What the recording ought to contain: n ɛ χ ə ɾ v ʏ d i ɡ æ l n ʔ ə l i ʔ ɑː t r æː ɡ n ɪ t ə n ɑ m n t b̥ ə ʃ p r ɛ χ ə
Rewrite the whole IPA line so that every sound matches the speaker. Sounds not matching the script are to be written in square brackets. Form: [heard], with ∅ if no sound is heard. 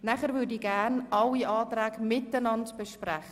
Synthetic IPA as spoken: n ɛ χ ə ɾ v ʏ d i ɡ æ [∅] n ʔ [ɑ] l i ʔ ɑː t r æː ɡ [m] ɪ t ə n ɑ [∅] n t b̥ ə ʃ p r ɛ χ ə